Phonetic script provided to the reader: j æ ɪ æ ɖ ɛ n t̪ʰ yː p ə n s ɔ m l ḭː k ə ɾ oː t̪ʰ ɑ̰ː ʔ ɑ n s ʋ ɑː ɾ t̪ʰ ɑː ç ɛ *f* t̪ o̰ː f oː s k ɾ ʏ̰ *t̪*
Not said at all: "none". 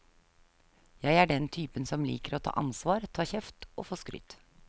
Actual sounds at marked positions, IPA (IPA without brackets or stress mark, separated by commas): f, t̪